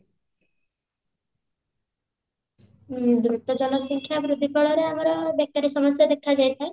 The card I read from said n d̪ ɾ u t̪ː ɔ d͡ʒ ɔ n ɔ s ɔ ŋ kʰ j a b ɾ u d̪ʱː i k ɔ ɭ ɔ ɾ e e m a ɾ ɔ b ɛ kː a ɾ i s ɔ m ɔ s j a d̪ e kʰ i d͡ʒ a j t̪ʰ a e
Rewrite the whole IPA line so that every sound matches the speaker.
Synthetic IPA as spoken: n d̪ ɾ u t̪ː ɔ d͡ʒ ɔ n ɔ s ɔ ŋ kʰ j a b ɾ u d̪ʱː i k ɔ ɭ ɔ ɾ e a m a ɾ ɔ b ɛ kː a ɾ i s ɔ m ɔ s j a d̪ e kʰ a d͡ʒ a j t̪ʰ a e

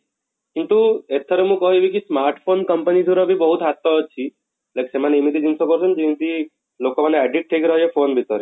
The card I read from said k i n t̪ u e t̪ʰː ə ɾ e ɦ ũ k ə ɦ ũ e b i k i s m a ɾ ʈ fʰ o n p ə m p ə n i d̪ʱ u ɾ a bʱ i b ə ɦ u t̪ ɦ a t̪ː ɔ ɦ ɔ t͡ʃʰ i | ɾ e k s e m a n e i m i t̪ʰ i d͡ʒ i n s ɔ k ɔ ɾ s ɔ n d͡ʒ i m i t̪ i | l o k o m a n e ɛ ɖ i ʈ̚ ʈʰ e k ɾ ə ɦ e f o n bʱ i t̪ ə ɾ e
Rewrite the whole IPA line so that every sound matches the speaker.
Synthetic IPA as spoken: k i n t̪ u e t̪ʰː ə ɾ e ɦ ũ k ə ɦ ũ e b i k i s m a ɾ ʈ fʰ o n k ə m p ə n i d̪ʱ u ɾ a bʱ i b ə ɦ u t̪ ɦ a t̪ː ɔ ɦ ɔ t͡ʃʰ i | l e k s e m a n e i m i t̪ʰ i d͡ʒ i n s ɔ k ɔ ɾ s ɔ n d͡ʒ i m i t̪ i | l o k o m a n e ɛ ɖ i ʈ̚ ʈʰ e k ɾ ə ɦ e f o n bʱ i t̪ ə ɾ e

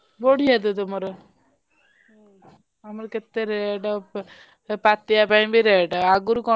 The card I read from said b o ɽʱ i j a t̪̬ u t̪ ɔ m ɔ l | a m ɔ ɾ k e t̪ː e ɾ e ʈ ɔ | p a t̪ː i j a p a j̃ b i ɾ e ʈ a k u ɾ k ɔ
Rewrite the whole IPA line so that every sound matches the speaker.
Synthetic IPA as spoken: b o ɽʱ i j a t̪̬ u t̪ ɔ m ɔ ɾ | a m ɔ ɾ k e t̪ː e ɾ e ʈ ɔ | p a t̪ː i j a p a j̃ b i ɾ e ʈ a ɡ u ɾ k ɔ

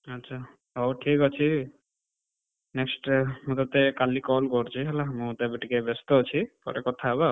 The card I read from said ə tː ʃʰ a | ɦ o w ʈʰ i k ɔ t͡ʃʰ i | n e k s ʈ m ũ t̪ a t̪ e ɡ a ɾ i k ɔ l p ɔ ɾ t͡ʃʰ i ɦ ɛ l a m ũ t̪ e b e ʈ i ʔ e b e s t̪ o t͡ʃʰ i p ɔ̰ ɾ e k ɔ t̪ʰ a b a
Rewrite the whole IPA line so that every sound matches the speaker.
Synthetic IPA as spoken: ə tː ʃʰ a | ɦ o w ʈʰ i k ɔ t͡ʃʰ i | n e k s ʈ m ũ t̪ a t̪ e k a l i k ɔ l k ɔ ɾ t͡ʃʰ i ɦ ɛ l a m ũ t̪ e b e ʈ i k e b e s t̪ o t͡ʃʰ i p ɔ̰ ɾ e k ɔ t̪ʰ a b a

